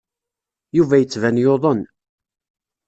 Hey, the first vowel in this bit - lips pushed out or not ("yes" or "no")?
yes